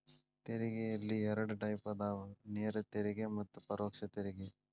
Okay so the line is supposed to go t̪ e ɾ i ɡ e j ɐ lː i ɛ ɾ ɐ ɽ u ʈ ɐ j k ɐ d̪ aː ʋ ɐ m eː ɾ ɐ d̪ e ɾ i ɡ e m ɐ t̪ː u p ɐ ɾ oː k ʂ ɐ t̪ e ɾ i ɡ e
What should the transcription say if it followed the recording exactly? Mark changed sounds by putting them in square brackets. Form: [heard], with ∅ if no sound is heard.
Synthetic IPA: t̪ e ɾ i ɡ e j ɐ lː i ɛ ɾ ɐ ɽ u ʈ ɐ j [p] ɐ d̪ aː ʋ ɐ [n] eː ɾ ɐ [t̪] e ɾ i ɡ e m ɐ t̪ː u p ɐ ɾ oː k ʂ ɐ t̪ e ɾ i ɡ e